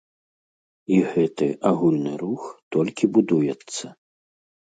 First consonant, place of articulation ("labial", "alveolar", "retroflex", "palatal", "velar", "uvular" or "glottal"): velar